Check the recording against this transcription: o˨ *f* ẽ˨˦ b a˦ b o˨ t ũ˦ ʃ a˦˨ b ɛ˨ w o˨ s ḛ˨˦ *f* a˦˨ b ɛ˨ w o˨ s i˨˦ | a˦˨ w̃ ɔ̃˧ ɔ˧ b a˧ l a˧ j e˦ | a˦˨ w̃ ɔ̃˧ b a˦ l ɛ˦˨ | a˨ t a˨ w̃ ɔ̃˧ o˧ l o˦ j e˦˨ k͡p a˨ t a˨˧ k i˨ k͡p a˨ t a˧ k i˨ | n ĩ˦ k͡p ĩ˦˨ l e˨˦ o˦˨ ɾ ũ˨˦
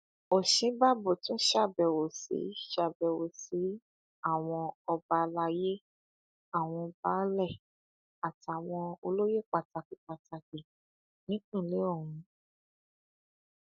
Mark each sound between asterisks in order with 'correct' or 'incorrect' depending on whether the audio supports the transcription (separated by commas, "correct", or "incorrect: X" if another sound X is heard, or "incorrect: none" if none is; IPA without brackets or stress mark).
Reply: incorrect: ʃ, incorrect: ʃ